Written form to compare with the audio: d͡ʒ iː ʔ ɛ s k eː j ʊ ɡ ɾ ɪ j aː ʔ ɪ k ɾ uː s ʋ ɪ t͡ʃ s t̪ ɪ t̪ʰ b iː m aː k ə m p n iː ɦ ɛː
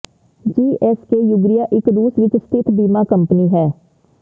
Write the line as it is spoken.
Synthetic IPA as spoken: d͡ʒ iː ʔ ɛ s k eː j ʊ ɡ ɾ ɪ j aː ʔ ɪ k ɾ uː s ʋ ɪ t͡ʃ s t̪ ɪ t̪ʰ b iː m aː k ə m p n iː ɦ ɛː